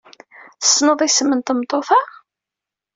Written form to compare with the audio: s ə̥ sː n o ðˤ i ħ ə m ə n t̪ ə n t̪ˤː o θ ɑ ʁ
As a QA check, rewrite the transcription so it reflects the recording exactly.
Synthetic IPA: θ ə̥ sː n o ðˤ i s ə m ə n t̪ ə m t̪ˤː o θ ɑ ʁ